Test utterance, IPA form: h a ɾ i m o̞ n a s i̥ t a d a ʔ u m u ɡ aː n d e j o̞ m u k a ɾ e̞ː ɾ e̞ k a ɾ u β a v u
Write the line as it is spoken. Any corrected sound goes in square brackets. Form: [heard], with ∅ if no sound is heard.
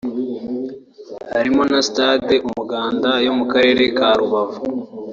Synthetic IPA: h a ɾ i m o̞ n a s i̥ t a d [e] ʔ u m u ɡ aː n d [a] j o̞ m u k a ɾ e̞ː ɾ e̞ k a ɾ u β a v u